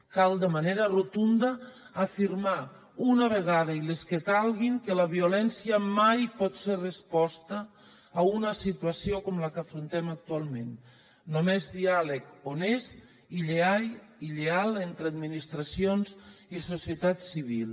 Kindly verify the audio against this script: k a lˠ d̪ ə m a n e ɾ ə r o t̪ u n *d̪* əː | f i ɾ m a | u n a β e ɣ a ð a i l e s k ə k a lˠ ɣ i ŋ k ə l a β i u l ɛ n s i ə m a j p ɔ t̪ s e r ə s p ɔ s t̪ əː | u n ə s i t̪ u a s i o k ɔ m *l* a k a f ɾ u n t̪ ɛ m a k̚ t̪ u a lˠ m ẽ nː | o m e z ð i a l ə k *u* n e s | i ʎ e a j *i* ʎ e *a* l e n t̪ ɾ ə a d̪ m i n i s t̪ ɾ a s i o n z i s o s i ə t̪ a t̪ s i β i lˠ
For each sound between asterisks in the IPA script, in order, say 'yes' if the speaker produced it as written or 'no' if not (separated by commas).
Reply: yes, yes, no, yes, yes